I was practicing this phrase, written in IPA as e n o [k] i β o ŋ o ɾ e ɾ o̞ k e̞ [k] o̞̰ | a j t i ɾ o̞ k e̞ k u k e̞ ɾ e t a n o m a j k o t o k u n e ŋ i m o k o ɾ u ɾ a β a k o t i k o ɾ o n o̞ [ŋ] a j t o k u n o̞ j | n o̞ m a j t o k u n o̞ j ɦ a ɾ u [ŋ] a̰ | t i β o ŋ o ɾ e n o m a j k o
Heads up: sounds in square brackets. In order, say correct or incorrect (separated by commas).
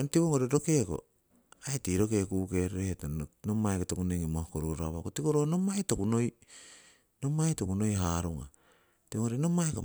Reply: incorrect, correct, incorrect, correct